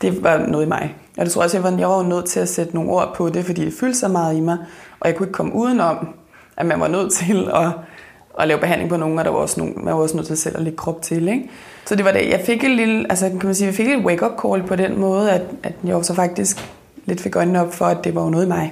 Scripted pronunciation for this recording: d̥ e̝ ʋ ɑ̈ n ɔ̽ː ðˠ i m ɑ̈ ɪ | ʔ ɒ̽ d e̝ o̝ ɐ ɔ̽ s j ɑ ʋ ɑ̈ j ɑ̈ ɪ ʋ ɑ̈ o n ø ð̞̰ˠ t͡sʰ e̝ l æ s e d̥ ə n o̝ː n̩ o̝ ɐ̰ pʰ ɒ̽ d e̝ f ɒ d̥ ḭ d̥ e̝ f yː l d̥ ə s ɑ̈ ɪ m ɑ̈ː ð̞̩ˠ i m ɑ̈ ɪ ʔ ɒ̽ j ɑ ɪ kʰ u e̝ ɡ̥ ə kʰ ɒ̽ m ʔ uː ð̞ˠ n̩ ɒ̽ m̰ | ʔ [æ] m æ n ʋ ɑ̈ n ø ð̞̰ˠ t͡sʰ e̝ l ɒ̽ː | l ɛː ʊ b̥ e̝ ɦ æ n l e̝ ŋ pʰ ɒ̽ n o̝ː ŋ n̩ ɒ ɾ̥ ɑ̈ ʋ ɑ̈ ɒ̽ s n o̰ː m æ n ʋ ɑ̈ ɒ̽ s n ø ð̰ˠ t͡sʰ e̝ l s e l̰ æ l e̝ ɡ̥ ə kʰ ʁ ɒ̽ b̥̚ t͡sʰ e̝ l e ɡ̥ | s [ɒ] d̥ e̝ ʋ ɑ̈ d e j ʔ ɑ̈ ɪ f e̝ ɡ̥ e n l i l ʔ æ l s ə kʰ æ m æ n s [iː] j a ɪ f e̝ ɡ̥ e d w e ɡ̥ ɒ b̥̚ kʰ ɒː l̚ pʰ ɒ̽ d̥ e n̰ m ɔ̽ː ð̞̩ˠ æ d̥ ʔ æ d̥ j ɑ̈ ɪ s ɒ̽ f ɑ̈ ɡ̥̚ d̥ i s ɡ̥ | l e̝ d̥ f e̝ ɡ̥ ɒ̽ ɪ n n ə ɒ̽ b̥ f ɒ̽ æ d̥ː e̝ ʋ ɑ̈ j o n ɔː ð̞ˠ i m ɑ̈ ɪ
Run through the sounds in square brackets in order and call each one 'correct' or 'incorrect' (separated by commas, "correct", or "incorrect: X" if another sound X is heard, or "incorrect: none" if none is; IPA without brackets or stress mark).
correct, correct, correct